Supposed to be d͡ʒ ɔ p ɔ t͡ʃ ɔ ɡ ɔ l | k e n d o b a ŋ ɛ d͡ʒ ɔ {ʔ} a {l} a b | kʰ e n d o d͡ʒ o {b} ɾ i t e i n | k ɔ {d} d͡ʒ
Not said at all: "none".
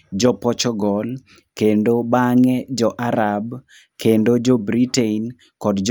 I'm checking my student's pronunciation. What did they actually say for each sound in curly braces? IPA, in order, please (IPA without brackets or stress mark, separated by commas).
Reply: ʔ, ɾ, b, d